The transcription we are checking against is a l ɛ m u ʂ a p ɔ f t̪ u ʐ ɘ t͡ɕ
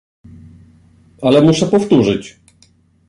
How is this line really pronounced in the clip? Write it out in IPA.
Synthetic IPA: a l ɛ m u ʂ ɛ p ɔ f t̪ u ʐ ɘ t͡ɕ